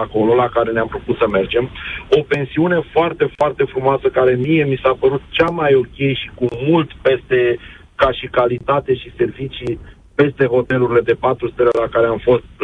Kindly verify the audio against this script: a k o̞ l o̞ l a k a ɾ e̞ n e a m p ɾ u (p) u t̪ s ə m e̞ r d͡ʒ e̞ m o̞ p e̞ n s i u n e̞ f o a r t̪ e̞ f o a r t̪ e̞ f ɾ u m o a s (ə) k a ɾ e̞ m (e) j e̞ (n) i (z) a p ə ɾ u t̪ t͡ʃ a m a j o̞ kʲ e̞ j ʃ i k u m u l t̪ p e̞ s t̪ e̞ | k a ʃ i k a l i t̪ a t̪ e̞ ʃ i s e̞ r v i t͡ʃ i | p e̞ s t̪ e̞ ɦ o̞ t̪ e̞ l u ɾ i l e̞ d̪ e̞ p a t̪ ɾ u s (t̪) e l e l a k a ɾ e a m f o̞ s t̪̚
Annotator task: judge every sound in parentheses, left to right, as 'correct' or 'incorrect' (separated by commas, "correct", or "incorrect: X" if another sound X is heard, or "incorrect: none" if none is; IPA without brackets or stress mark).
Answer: correct, correct, incorrect: i, incorrect: m, incorrect: s, correct